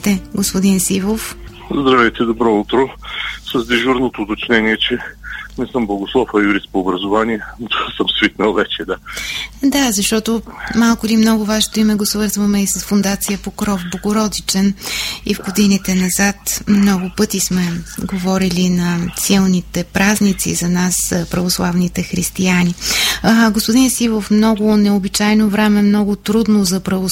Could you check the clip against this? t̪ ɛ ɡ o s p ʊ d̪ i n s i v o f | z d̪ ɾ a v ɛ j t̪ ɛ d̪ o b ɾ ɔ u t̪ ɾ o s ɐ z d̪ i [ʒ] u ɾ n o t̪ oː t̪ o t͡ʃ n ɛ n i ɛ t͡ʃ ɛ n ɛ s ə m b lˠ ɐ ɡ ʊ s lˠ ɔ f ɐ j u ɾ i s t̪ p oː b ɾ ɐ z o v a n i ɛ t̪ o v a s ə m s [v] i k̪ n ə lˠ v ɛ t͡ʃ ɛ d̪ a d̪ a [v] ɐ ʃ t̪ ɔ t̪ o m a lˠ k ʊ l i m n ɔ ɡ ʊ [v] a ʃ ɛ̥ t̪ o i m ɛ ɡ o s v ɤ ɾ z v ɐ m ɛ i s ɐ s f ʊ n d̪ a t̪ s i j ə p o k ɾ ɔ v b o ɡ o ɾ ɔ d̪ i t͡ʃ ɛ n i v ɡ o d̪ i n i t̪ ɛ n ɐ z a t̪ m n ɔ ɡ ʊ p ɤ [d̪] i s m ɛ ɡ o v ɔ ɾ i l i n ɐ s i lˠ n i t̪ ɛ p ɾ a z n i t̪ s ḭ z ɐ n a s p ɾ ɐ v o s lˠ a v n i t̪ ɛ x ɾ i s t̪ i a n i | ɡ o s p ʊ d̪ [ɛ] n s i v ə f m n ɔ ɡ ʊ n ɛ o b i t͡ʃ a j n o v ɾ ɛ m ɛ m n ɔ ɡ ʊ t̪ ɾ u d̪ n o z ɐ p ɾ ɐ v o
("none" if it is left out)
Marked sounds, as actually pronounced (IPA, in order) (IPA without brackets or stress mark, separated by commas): ʒ, v, z, v, t̪, i